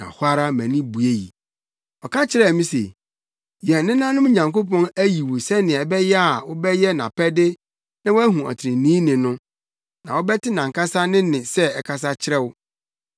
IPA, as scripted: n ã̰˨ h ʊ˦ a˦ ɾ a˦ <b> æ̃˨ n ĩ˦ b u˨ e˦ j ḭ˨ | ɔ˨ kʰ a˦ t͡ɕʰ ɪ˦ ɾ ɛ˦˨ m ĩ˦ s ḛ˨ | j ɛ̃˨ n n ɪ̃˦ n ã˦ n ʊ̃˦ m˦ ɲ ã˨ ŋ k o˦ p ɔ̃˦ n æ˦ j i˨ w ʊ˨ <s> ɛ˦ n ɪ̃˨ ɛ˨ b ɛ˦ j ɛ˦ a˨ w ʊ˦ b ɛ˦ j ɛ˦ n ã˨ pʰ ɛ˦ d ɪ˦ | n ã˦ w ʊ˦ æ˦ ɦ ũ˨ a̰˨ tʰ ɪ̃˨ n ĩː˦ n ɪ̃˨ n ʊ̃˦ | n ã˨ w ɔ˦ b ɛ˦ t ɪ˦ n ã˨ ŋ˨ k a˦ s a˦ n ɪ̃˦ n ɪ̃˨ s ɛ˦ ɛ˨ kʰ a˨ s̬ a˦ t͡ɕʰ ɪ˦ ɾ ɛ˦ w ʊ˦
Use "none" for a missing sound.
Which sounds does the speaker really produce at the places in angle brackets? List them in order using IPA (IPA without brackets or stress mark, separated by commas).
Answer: m, s